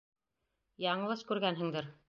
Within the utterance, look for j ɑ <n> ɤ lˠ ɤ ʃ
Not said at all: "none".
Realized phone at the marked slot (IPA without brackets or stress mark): ɴ